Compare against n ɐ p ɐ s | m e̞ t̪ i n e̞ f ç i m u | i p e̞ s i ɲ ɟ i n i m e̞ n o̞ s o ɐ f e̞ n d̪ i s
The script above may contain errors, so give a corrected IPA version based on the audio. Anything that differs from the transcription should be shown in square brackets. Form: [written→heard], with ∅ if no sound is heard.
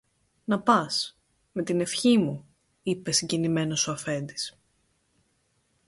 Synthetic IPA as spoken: n ɐ p ɐ s | m e̞ t̪ i n e̞ f ç i m u | i p e̞ s i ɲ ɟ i n i m e̞ n o̞ s o ɐ f e̞ n d̪ i s